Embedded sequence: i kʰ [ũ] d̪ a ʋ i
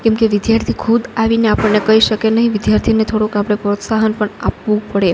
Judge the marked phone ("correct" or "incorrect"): incorrect